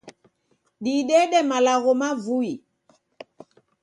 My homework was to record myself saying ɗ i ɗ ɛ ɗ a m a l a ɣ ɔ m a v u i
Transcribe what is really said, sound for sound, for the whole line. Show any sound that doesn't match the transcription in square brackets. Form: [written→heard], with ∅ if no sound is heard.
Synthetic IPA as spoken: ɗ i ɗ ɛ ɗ [a→ɛ] m a l a ɣ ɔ m a v u i